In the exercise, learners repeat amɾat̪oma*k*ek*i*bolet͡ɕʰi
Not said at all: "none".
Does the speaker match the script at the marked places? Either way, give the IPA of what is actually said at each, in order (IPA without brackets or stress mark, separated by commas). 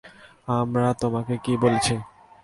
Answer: k, i